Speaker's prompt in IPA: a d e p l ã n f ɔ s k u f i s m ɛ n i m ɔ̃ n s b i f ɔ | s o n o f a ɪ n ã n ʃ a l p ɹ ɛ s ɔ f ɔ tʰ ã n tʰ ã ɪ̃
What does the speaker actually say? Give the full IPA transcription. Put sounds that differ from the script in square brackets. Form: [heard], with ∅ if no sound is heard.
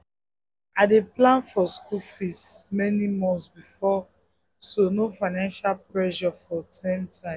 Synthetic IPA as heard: a d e p l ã n f ɔ s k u f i s m ɛ n i m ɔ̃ n s b i f ɔ | s o n o f a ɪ n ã n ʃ a l p ɹ ɛ [ʃ] ɔ f ɔ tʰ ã [m] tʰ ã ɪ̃